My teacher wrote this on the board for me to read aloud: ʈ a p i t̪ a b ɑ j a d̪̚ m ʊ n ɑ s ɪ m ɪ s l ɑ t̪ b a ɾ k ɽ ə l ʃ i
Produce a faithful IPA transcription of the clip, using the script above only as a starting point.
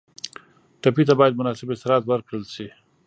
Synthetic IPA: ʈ a p i t̪ a b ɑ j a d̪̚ m ʊ n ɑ s ɪ b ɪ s ɾ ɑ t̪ w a ɾ k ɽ ə l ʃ i